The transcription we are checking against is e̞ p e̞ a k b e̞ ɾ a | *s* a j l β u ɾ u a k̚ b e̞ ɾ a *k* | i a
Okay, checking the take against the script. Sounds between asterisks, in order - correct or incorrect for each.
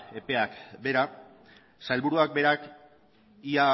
correct, correct

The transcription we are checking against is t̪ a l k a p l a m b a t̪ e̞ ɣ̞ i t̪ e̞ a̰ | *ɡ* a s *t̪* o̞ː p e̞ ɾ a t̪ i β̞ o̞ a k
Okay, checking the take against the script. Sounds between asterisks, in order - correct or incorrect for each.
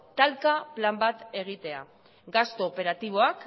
correct, correct

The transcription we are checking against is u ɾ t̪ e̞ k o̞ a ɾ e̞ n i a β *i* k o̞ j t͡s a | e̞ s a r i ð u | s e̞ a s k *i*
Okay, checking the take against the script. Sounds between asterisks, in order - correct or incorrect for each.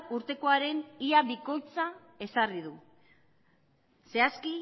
correct, correct

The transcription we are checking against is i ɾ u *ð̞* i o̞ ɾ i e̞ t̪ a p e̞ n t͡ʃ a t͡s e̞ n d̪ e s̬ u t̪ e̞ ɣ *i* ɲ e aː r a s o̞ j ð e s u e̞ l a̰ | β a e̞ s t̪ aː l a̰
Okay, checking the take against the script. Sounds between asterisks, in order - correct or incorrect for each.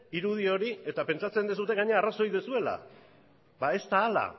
correct, incorrect

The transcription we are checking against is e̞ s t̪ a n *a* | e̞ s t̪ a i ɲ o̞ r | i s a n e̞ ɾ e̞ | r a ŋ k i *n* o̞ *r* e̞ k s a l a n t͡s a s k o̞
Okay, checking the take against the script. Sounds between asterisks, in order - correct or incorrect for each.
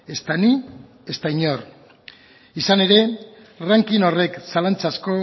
incorrect, correct, correct

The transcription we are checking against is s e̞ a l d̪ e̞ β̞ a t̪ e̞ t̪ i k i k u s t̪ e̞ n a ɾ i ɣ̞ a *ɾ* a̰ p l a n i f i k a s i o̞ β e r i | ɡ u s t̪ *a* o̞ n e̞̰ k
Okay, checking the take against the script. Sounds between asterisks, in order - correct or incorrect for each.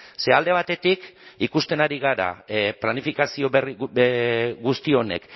correct, incorrect

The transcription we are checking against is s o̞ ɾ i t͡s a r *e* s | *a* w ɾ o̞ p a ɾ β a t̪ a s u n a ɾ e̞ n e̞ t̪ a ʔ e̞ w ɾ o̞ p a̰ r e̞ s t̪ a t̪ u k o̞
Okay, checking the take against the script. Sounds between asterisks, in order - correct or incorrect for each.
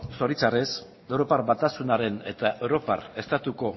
correct, incorrect

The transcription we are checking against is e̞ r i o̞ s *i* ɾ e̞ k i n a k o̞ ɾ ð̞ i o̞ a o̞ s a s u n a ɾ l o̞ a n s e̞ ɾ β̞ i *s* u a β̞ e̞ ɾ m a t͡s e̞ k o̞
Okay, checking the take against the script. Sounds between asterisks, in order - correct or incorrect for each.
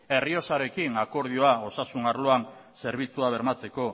incorrect, incorrect

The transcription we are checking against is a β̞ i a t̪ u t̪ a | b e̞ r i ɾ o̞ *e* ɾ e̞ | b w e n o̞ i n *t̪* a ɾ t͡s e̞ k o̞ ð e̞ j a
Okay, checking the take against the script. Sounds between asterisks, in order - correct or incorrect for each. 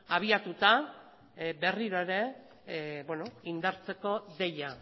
correct, incorrect

